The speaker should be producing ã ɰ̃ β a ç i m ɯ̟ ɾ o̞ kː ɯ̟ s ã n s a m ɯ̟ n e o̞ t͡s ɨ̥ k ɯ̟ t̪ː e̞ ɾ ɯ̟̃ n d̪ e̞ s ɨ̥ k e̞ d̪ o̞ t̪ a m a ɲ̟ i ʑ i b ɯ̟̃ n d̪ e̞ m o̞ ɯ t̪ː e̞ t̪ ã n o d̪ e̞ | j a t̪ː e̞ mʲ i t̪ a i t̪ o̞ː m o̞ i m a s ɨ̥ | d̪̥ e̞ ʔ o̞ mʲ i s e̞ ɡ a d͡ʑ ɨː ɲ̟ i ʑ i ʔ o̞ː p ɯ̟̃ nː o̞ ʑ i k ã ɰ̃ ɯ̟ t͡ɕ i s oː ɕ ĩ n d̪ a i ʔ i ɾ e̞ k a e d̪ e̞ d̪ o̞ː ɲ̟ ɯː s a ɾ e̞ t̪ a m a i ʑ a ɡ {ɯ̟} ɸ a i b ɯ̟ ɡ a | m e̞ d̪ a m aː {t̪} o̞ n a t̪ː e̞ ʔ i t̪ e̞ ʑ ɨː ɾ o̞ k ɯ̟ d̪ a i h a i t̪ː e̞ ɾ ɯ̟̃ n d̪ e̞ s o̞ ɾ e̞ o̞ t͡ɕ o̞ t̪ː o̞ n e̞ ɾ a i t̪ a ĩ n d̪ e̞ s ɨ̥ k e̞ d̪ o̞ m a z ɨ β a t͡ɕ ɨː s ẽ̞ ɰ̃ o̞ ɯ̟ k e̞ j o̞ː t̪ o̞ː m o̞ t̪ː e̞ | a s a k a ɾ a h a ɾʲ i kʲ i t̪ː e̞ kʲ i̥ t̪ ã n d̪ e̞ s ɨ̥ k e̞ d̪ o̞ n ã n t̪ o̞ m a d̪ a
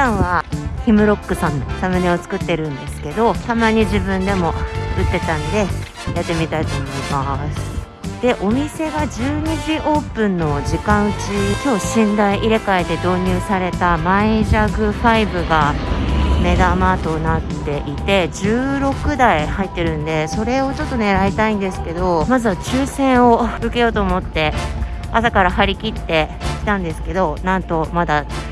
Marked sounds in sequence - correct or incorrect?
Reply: correct, correct

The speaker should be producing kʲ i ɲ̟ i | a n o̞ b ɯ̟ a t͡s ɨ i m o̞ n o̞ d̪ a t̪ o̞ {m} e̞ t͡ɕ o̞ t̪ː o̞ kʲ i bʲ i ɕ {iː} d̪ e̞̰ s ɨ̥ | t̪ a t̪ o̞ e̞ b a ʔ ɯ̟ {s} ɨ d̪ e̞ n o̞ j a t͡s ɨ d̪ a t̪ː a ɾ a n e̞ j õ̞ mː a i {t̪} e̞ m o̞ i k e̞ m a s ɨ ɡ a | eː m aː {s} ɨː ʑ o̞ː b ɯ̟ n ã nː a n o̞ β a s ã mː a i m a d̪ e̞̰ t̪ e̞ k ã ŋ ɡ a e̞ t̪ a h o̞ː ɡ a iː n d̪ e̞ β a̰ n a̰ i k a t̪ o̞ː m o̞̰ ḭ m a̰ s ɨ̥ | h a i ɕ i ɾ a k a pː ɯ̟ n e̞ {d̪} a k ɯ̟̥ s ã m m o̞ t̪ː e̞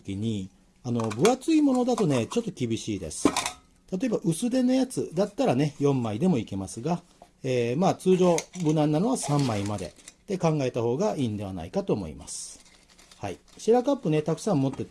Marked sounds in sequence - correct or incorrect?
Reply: incorrect, correct, correct, incorrect, incorrect, incorrect

